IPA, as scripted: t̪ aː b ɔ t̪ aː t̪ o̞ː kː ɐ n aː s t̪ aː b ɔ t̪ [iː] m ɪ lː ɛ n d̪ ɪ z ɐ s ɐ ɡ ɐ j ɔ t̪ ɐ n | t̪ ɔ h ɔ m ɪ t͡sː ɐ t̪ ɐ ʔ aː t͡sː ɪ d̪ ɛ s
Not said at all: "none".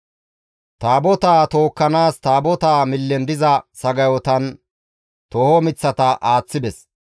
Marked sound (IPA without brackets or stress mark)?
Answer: aː